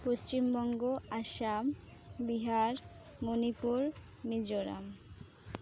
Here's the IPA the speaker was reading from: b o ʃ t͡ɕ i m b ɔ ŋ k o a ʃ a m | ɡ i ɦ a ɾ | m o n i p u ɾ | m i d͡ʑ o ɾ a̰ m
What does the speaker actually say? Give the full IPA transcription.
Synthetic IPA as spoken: p o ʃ t͡ɕ i m b ɔ ŋ ɡ o a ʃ a m | b i ɦ a ɾ | m o n i p u ɾ | m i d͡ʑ o ɾ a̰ m